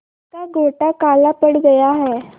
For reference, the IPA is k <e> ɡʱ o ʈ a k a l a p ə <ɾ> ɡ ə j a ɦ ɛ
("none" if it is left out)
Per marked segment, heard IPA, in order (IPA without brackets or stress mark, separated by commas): a, ɽ